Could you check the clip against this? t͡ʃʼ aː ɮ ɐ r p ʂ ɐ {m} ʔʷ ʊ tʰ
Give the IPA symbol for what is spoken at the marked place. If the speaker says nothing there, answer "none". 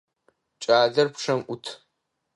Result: m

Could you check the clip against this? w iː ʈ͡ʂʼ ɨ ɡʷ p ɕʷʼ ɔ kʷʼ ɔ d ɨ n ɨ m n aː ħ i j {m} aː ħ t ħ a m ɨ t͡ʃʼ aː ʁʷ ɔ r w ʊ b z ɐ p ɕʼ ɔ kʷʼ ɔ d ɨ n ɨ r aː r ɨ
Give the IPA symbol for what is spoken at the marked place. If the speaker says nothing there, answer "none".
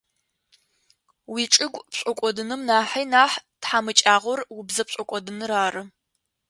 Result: n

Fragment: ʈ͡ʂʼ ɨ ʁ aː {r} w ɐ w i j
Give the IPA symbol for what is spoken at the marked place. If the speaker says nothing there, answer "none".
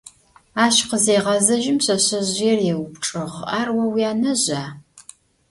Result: r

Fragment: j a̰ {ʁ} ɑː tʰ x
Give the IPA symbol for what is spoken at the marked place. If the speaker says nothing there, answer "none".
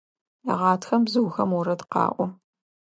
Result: ʁ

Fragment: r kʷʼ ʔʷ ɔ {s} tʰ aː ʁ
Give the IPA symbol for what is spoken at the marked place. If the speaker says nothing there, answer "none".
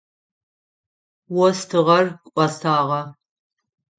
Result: s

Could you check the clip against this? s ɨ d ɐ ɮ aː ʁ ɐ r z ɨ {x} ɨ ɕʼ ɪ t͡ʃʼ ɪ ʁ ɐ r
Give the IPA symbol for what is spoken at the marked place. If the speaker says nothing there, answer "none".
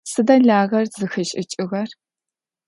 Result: x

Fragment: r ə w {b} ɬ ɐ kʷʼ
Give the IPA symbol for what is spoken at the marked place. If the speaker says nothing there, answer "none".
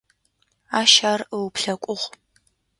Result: p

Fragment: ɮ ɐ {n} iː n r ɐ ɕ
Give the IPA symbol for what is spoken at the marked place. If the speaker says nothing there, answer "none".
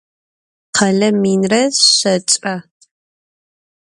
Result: m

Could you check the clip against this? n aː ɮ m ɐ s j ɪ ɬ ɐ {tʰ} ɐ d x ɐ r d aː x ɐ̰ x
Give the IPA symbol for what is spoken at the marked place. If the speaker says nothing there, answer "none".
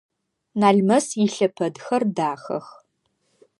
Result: pʰ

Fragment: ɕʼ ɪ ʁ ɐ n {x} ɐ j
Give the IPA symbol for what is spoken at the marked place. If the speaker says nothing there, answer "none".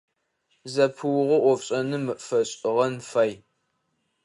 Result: f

